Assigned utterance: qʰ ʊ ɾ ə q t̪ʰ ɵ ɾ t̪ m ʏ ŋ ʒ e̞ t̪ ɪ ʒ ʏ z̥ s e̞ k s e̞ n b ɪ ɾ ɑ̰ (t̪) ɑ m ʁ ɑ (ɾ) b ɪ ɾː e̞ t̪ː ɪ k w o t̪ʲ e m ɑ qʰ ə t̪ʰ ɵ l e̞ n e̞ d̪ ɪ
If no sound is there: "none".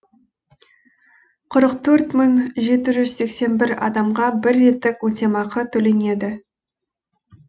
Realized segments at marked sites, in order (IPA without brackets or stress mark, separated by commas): d̪, none